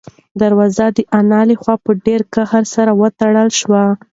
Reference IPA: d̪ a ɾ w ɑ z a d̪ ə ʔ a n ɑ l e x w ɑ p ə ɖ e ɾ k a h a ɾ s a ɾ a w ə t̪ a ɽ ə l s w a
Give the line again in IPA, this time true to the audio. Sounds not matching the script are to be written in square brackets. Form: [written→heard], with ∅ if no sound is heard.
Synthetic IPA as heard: d̪ a ɾ w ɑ z a d̪ ə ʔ a n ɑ l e x w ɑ p ə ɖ e ɾ k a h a ɾ s a ɾ a w ə t̪ a ɽ ə l [s→ʃ] w a